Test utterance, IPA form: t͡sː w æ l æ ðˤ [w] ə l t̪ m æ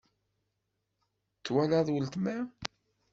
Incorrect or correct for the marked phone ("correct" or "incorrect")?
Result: correct